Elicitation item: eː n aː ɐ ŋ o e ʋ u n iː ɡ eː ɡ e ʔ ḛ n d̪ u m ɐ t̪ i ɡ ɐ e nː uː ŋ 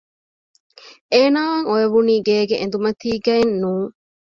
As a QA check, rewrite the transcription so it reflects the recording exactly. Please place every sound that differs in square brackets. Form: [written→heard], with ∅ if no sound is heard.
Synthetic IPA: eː n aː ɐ ŋ o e ʋ u n iː ɡ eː ɡ e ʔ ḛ n d̪ u m ɐ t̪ [i→iː] ɡ ɐ e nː uː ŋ

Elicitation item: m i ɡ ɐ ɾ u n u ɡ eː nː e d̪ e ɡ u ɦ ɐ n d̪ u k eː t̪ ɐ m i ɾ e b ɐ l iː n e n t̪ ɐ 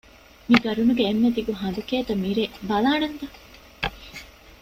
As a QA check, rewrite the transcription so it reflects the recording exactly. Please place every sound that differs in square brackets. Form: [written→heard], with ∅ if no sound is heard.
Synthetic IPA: m i ɡ ɐ ɾ u n u ɡ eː nː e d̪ [e→i] ɡ u ɦ ɐ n d̪ u k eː t̪ ɐ m i ɾ e b ɐ l [iː→aː] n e n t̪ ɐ

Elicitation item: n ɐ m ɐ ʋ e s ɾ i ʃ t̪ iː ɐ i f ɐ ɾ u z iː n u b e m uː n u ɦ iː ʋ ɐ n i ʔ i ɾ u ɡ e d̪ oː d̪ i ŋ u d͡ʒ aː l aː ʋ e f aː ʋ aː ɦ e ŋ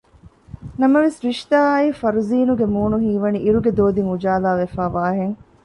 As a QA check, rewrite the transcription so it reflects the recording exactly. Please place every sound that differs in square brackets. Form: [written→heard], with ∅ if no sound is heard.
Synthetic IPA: n ɐ m ɐ ʋ e s ɾ i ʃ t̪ [iː→aː] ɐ i f ɐ ɾ u z iː n u [b→ɡ] e m uː n u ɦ iː ʋ ɐ n i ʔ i ɾ u ɡ e d̪ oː d̪ i ŋ u d͡ʒ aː l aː ʋ e f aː ʋ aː ɦ e ŋ

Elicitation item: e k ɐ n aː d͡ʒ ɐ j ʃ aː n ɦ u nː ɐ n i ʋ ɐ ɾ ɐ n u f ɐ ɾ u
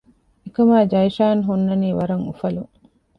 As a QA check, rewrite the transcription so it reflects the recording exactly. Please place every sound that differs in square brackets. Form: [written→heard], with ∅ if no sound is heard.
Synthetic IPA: e k ɐ [n→m] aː d͡ʒ ɐ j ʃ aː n ɦ u nː ɐ n [i→iː] ʋ ɐ ɾ ɐ [n→ŋ] u f ɐ [ɾ→l] u

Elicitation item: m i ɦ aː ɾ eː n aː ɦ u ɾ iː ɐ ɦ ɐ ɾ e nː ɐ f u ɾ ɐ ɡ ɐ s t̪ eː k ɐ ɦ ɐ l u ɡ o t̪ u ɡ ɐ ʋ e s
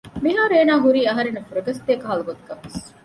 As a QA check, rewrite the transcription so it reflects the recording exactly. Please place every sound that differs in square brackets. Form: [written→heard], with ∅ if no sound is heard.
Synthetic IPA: m i ɦ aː ɾ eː n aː ɦ u ɾ iː ɐ ɦ ɐ ɾ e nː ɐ f u ɾ ɐ ɡ ɐ s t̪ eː k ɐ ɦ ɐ l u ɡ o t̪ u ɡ ɐ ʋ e s

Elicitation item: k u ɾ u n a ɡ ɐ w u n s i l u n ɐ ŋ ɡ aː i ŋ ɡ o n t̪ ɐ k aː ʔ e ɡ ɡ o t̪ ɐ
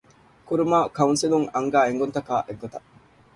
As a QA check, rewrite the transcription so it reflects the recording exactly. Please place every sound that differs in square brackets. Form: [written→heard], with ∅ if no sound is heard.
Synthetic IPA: k u ɾ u [n→m] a [ɡ→k] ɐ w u n s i l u [n→ŋ] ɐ ŋ ɡ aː [i→e] ŋ ɡ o n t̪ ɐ k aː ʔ e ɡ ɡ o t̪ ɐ

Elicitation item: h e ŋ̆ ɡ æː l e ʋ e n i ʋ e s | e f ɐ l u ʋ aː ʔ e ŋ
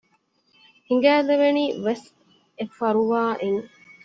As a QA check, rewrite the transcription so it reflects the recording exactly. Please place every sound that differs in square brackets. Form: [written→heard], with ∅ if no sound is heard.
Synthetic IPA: h [e→i] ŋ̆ ɡ æː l e ʋ e n [i→iː] ʋ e s | e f ɐ [l→ɾ] u ʋ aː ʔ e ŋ

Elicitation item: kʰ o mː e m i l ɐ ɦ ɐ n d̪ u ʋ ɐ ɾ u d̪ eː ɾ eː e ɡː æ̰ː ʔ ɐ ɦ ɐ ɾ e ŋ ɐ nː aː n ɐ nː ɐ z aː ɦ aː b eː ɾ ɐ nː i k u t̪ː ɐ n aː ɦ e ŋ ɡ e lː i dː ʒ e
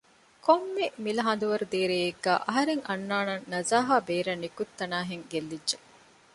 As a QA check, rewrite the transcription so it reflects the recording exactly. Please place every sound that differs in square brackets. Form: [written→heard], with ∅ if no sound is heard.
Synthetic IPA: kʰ o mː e m i l ɐ ɦ ɐ n d̪ u ʋ ɐ ɾ u d̪ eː ɾ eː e ɡː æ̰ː ʔ ɐ ɦ ɐ ɾ e ŋ ɐ nː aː n ɐ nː ɐ z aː ɦ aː b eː ɾ ɐ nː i k u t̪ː ɐ n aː ɦ e ŋ ɡ e lː i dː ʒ e

